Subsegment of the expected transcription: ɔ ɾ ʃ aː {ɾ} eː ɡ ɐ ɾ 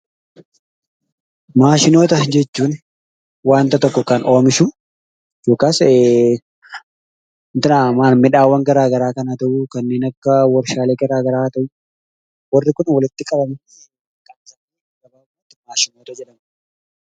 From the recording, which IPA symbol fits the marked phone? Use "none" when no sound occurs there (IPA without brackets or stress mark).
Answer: l